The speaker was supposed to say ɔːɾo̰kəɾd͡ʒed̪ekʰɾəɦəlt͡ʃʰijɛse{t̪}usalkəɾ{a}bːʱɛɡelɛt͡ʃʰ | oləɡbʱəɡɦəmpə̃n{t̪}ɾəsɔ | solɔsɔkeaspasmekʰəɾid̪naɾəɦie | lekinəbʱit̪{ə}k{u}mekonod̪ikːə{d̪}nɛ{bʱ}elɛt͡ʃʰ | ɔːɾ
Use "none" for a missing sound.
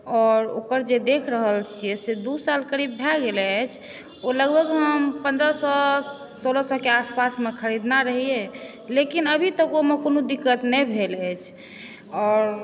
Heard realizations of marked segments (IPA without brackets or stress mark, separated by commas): d̪, i, d̪, ə, o, t̪, bʱ